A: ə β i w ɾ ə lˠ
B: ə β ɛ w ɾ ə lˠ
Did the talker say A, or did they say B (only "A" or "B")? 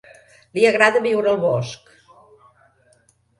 A